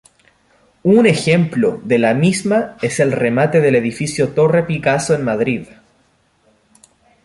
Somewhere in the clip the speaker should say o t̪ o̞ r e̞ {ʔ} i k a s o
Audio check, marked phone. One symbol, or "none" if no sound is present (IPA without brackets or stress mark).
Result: p